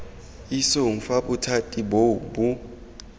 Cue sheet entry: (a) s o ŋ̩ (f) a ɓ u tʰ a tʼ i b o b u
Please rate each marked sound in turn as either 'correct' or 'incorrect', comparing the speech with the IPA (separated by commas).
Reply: incorrect, correct